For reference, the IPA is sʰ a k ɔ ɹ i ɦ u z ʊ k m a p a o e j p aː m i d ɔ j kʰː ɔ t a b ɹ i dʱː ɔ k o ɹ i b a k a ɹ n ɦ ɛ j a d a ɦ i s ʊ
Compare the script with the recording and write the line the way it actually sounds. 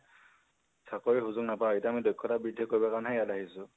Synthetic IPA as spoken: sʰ a k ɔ ɹ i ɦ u z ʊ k n a p a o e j t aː m i d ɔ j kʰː ɔ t a b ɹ i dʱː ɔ k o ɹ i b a k a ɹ n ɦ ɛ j a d a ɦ i s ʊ